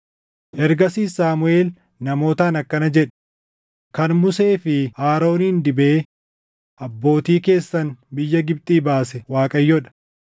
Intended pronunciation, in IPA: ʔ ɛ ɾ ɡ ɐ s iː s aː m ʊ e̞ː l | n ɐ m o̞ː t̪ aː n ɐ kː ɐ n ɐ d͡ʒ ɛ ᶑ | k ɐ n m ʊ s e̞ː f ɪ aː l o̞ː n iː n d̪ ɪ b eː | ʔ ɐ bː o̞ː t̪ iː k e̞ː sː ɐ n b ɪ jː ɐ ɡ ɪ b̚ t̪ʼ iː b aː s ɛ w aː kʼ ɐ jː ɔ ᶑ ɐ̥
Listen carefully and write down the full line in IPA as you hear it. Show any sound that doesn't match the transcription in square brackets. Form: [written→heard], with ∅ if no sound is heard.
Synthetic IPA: ʔ ɛ ɾ ɡ ɐ s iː s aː m ʊ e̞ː l | n ɐ m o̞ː t̪ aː n ɐ kː ɐ n ɐ d͡ʒ ɛ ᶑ | k ɐ n m ʊ s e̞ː f ɪ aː [l→ɾ] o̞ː n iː n d̪ ɪ b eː | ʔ ɐ bː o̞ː t̪ iː k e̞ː sː ɐ n b ɪ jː ɐ ɡ ɪ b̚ t̪ʼ iː b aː s ɛ w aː kʼ ɐ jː ɔ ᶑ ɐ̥

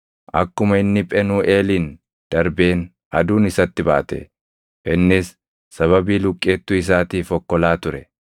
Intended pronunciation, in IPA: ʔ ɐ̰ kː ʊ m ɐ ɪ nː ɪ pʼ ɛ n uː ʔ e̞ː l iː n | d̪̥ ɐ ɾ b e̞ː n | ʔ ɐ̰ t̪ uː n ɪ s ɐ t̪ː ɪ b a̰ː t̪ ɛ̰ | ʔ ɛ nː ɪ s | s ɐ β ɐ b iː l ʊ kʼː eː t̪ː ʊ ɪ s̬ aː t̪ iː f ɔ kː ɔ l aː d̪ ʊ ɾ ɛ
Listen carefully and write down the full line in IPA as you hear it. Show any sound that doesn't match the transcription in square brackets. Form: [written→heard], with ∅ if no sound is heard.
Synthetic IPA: ʔ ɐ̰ kː ʊ m ɐ ɪ nː ɪ pʼ ɛ n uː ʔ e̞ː l iː n | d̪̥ ɐ ɾ b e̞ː n | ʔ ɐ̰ [t̪→d̪] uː n ɪ s ɐ t̪ː ɪ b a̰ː t̪ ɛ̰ | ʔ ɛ nː ɪ s | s ɐ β ɐ b iː l ʊ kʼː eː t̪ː ʊ ɪ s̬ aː t̪ iː f ɔ kː ɔ l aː [d̪→t̪] ʊ ɾ ɛ

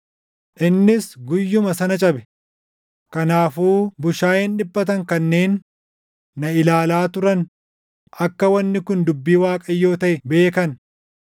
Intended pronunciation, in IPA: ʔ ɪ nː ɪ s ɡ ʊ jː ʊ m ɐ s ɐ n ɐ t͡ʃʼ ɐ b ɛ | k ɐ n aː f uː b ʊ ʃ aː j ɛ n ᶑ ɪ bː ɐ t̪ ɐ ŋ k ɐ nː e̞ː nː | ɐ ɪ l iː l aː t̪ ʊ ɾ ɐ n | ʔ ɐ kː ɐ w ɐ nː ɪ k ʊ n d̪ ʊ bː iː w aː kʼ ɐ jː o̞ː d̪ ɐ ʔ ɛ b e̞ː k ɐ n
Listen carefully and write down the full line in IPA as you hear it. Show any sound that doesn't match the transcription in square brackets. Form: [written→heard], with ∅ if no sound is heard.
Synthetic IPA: ʔ ɪ nː ɪ s ɡ ʊ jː ʊ m ɐ s ɐ n ɐ t͡ʃʼ ɐ b ɛ | k ɐ n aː f uː b ʊ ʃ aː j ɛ n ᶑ ɪ bː ɐ t̪ ɐ ŋ k ɐ nː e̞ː nː | ɐ ɪ l [iː→aː] l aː t̪ ʊ ɾ ɐ n | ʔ ɐ kː ɐ w ɐ nː ɪ k ʊ n d̪ ʊ bː iː w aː kʼ ɐ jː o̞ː [d̪→t̪] ɐ ʔ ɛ b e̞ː k ɐ n

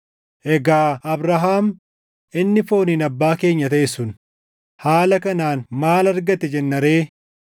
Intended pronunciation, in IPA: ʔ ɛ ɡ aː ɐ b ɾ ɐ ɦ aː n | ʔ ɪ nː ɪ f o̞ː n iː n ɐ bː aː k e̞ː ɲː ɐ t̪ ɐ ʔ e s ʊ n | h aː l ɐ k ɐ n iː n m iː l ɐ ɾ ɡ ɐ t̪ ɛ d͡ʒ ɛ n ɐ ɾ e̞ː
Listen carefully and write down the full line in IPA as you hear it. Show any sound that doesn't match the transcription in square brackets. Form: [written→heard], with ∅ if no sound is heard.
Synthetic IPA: ʔ ɛ ɡ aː ɐ b ɾ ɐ ɦ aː [n→m] | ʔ ɪ nː ɪ f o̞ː n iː n ɐ bː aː k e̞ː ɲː ɐ t̪ ɐ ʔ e s ʊ n | h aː l ɐ k ɐ n [iː→aː] n m [iː→aː] l ɐ ɾ ɡ ɐ t̪ ɛ d͡ʒ ɛ [n→nː] ɐ ɾ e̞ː

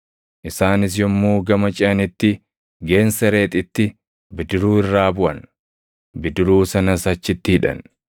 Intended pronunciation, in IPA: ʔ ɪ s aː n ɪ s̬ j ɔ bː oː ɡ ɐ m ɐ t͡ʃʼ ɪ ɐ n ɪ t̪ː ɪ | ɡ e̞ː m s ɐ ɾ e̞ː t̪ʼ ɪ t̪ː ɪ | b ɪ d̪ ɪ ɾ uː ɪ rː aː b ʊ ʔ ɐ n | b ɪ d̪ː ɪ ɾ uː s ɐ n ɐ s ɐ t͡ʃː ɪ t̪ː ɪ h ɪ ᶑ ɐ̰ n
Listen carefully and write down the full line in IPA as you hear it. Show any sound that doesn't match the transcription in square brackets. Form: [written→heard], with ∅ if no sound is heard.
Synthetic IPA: ʔ ɪ s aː n ɪ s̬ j ɔ [bː→mː] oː ɡ ɐ m ɐ t͡ʃʼ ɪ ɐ n ɪ t̪ː ɪ | ɡ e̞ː [m→n] s ɐ ɾ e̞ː t̪ʼ ɪ t̪ː ɪ | b ɪ d̪ ɪ ɾ uː ɪ rː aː b ʊ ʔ ɐ n | b ɪ [d̪ː→d̪] ɪ ɾ uː s ɐ n ɐ s ɐ t͡ʃː ɪ t̪ː ɪ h ɪ ᶑ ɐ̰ n

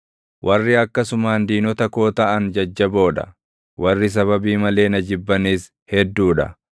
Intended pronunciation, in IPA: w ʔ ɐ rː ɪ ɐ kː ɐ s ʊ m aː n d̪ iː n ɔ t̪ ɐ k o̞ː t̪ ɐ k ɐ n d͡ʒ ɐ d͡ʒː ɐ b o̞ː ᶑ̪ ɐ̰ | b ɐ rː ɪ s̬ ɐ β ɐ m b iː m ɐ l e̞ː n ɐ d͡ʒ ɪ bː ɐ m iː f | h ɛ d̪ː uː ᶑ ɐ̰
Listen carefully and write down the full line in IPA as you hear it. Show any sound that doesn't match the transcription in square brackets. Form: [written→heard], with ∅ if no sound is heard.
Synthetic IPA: w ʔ ɐ rː ɪ ɐ kː ɐ s ʊ m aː n d̪ iː n ɔ t̪ ɐ k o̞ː t̪ ɐ [k→ʔ] ɐ n d͡ʒ ɐ d͡ʒː ɐ b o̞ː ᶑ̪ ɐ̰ | [b→w] ɐ rː ɪ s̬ ɐ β ɐ [m→∅] b iː m ɐ l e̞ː n ɐ d͡ʒ ɪ bː ɐ [m→n] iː [f→s] | h ɛ d̪ː uː ᶑ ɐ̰

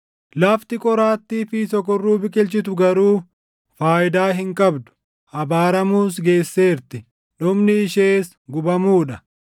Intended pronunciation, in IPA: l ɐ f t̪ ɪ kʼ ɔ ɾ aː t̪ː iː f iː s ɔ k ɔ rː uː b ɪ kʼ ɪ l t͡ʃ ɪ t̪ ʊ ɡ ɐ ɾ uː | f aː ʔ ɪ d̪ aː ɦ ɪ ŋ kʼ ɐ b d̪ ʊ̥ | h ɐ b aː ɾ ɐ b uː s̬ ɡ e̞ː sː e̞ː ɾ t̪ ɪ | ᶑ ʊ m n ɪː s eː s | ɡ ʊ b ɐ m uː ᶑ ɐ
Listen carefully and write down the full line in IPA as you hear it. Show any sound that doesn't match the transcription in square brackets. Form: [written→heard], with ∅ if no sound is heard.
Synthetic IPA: l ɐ f t̪ ɪ kʼ ɔ ɾ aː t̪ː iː f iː s ɔ k ɔ rː uː b ɪ kʼ ɪ l t͡ʃ ɪ t̪ ʊ ɡ ɐ ɾ uː | f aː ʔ ɪ d̪ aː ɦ ɪ ŋ kʼ ɐ b d̪ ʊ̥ | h ɐ b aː ɾ ɐ [b→m] uː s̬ ɡ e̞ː sː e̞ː ɾ t̪ ɪ | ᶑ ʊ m n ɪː [s→ʃ] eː s | ɡ ʊ b ɐ m uː ᶑ ɐ

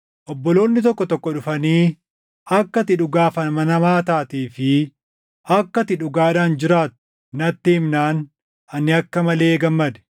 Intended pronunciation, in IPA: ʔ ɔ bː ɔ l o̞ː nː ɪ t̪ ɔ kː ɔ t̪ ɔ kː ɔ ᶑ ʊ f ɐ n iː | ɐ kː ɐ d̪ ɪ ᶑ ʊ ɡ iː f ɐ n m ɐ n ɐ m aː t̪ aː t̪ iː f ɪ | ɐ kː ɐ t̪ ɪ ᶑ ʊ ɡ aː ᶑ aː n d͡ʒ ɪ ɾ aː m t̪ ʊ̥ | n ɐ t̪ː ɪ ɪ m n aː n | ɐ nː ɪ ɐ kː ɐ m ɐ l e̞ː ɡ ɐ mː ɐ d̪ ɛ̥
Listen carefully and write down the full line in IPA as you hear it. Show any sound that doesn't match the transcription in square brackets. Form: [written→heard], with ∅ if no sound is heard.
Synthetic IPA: ʔ ɔ bː ɔ l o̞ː nː ɪ t̪ ɔ kː ɔ t̪ ɔ kː ɔ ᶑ ʊ f ɐ n iː | ɐ kː ɐ [d̪→t̪] ɪ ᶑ ʊ ɡ [iː→aː] f ɐ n m ɐ n ɐ m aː t̪ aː t̪ iː f ɪ | ɐ kː ɐ t̪ ɪ ᶑ ʊ ɡ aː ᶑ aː n d͡ʒ ɪ ɾ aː [m→∅] t̪ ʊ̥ | n ɐ t̪ː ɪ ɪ m n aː n | ɐ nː ɪ ɐ kː ɐ m ɐ l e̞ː ɡ ɐ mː ɐ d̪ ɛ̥

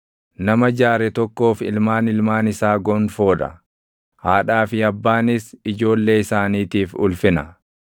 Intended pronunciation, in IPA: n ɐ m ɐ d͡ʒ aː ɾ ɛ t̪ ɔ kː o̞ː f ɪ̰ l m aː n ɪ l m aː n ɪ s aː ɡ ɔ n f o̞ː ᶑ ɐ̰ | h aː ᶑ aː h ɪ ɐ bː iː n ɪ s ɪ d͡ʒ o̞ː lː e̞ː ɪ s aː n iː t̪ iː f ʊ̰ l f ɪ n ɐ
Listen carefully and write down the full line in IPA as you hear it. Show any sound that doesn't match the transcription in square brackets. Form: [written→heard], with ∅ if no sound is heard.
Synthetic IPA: n ɐ m ɐ d͡ʒ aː ɾ ɛ t̪ ɔ kː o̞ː f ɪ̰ l m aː n ɪ l m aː n ɪ s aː ɡ ɔ n f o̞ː ᶑ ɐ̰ | h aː ᶑ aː [h→f] ɪ ɐ bː [iː→aː] n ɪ s ɪ d͡ʒ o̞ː lː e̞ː ɪ s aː n iː t̪ iː f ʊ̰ l f ɪ n ɐ

